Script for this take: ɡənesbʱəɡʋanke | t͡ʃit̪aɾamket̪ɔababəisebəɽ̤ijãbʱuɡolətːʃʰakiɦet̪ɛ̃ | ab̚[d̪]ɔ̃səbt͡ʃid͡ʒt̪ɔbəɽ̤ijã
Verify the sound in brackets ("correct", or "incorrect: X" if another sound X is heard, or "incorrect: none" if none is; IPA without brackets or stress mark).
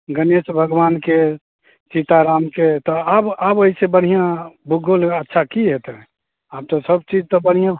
incorrect: t̪